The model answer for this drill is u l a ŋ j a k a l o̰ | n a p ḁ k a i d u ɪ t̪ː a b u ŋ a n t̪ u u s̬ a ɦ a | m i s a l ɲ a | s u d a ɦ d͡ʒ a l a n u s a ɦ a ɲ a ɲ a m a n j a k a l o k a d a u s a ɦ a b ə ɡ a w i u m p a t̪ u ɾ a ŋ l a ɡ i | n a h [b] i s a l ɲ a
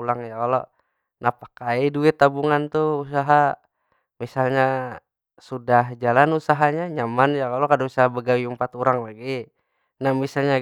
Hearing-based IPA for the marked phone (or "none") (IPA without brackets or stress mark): m